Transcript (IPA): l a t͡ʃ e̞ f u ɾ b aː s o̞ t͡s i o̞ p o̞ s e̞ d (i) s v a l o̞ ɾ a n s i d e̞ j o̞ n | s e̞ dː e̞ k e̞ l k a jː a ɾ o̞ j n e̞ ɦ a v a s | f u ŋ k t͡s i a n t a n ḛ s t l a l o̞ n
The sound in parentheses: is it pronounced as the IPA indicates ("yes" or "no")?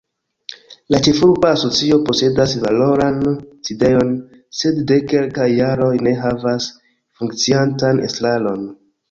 no